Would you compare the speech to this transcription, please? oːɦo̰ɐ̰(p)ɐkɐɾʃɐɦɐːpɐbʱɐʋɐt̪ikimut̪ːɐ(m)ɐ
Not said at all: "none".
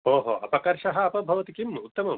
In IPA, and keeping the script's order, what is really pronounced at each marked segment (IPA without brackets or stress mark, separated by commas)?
p, m